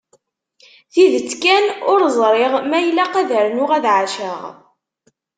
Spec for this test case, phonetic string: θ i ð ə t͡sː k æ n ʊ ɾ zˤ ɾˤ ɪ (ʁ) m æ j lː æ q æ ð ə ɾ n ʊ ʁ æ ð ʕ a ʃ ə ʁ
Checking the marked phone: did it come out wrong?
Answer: no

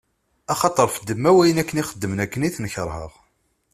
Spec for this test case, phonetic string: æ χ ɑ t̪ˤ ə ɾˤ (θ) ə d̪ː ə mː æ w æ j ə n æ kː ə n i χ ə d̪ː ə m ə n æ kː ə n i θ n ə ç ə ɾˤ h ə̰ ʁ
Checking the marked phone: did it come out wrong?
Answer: yes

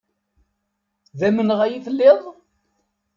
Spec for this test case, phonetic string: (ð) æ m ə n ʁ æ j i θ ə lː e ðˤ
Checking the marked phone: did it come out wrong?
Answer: no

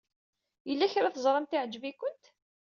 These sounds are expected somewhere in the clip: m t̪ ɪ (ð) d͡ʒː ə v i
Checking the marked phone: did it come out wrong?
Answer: yes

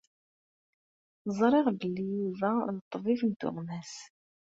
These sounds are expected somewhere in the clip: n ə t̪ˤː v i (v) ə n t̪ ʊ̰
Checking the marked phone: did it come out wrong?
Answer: yes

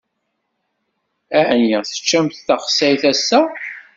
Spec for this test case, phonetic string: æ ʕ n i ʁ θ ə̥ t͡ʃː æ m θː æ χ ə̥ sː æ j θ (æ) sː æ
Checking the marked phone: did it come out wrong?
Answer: no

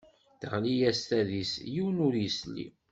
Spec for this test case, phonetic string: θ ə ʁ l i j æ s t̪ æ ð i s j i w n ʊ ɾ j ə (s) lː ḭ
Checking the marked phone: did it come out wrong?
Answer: no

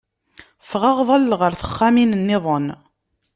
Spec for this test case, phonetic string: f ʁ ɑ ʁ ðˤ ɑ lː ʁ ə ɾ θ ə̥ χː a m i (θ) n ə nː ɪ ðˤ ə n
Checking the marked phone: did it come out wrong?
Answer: yes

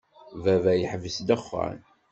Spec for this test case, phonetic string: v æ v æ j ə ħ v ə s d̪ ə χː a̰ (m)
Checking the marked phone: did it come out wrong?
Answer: yes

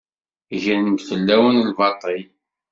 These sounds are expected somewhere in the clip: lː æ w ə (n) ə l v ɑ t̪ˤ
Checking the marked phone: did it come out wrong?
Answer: no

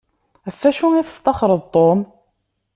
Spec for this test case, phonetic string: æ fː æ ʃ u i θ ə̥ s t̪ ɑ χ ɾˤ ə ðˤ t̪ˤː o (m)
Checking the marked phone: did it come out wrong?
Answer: no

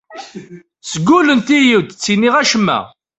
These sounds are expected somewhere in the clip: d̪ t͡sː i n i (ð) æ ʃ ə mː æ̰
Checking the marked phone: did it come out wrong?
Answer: yes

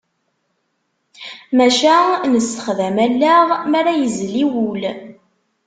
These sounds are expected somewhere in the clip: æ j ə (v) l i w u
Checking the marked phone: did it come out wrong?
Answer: yes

